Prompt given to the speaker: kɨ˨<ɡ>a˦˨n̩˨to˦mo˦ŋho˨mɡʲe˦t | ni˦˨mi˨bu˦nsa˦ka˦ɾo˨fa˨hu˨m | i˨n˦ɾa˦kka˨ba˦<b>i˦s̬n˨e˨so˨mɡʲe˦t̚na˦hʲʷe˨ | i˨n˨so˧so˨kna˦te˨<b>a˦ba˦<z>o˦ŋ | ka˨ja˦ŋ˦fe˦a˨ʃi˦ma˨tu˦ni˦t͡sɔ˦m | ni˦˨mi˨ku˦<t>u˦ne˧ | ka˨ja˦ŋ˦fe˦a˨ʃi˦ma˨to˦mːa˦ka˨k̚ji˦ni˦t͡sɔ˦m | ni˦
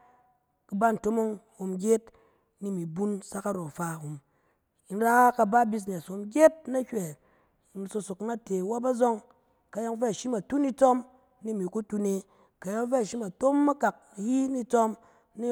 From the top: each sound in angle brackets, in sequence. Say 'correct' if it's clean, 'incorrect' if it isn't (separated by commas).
incorrect, correct, incorrect, correct, correct